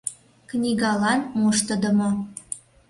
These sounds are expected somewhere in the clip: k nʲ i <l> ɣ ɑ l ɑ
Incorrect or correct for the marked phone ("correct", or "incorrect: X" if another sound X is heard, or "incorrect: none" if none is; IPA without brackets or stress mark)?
incorrect: none